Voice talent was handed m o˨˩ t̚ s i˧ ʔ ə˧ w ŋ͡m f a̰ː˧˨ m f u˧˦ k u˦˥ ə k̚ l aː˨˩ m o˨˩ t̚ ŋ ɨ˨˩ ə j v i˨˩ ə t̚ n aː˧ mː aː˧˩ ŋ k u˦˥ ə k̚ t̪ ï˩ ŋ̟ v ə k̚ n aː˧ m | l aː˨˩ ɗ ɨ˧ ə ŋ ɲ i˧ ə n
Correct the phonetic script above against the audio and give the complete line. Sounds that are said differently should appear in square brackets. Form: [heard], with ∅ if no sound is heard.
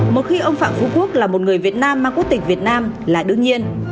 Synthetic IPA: m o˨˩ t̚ [x] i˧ ʔ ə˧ w ŋ͡m f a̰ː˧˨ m f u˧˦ k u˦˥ ə k̚ l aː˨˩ m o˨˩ t̚ ŋ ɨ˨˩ ə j v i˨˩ ə t̚ n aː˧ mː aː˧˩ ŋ k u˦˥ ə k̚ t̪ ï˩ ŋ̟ v ə [t̚] n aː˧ m | l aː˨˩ ɗ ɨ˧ ə ŋ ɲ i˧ ə n